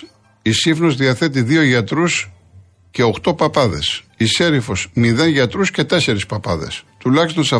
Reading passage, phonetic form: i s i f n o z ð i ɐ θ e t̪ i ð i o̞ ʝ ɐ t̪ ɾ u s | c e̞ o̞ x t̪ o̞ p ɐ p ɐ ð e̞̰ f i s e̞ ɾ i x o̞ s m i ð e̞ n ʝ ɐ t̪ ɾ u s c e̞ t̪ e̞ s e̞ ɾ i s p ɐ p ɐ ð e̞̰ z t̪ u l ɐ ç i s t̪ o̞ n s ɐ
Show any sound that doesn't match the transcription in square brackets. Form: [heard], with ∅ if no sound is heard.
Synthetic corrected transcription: i s i f n o z ð i ɐ θ e t̪ i ð i o̞ ʝ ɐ t̪ ɾ u s | c e̞ o̞ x t̪ o̞ p ɐ p ɐ ð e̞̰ [s] i s e̞ ɾ i [f] o̞ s m i ð e̞ n ʝ ɐ t̪ ɾ u s c e̞ t̪ e̞ s e̞ ɾ i s p ɐ p ɐ ð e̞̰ [s] t̪ u l ɐ ç i s t̪ o̞ n s ɐ